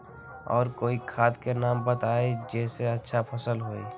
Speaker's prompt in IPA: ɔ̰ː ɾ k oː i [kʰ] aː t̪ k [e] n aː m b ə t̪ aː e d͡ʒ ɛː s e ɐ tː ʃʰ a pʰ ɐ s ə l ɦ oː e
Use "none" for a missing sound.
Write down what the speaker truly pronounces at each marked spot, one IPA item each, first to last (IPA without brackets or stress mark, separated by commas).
kʰ, e